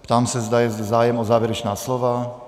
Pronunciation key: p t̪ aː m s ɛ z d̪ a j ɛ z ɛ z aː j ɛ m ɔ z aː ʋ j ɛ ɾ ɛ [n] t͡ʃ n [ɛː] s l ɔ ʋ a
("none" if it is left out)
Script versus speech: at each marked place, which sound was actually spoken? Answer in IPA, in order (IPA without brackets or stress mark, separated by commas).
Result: none, aː